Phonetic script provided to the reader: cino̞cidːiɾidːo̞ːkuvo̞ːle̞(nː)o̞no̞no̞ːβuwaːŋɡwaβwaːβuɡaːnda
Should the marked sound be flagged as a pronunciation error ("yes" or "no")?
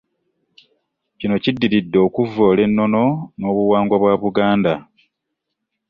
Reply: no